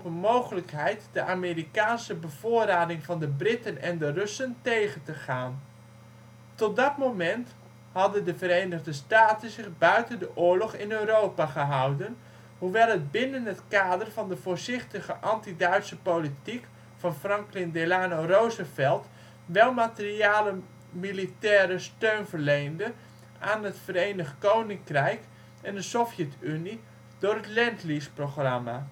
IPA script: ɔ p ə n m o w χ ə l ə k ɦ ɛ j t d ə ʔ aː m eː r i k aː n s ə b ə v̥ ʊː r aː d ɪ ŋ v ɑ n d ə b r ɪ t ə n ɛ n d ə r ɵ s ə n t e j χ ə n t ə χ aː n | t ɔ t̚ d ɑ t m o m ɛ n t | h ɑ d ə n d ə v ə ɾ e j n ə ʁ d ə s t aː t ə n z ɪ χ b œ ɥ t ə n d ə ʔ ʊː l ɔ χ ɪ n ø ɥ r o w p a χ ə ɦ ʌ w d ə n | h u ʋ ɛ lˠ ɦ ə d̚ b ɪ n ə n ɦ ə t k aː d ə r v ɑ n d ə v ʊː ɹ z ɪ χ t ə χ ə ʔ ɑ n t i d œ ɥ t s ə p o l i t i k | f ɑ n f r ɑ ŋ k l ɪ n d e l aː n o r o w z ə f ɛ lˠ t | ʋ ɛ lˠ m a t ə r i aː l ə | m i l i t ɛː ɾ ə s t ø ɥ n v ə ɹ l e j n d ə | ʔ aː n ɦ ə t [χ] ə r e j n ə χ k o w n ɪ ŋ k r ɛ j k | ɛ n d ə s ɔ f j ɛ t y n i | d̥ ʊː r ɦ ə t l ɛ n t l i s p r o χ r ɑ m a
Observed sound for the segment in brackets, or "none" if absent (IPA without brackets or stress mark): f